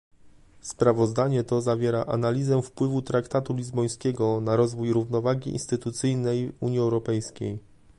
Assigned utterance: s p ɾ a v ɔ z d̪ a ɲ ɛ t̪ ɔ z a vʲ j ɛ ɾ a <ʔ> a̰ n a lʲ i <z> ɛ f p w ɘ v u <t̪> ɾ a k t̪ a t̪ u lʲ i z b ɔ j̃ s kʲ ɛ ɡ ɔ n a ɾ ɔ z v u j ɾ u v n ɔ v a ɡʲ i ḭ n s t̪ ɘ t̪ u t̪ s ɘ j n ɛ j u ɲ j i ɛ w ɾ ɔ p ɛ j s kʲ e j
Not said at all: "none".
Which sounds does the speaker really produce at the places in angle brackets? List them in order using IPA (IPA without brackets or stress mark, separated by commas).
ʔ, z, t̪